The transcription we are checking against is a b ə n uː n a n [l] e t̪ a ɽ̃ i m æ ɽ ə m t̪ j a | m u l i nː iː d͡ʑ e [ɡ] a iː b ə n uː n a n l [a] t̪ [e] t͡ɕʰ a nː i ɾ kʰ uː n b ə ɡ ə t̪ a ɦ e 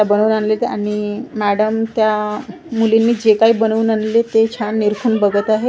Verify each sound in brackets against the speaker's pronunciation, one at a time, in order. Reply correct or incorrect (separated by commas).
correct, incorrect, incorrect, correct